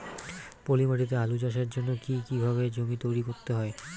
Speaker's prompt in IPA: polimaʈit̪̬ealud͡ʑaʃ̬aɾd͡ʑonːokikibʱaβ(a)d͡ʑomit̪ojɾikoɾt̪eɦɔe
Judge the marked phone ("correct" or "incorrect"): incorrect